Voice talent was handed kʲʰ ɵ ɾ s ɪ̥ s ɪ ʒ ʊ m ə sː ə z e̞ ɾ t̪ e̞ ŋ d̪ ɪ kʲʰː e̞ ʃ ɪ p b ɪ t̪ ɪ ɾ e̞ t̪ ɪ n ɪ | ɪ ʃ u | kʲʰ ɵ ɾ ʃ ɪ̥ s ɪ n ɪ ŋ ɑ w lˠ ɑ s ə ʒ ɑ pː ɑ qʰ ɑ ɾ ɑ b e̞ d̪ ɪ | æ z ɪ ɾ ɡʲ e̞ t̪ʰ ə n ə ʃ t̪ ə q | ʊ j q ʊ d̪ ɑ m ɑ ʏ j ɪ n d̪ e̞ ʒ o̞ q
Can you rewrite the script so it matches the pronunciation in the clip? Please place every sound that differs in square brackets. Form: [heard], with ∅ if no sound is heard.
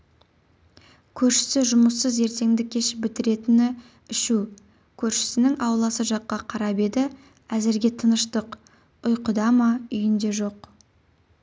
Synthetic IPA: kʲʰ ɵ ɾ [ʃ] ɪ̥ s ɪ ʒ ʊ m ə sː ə z e̞ ɾ t̪ e̞ ŋ d̪ ɪ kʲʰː e̞ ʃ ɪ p b ɪ t̪ ɪ ɾ e̞ t̪ ɪ n ɪ | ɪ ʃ u | kʲʰ ɵ ɾ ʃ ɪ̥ s ɪ n ɪ ŋ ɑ w lˠ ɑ s ə ʒ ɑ [qː] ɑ qʰ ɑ ɾ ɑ b e̞ d̪ ɪ | æ z ɪ ɾ ɡʲ e̞ t̪ʰ ə n ə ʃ t̪ ə q | ʊ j q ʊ d̪ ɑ m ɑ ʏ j ɪ n d̪ e̞ ʒ o̞ q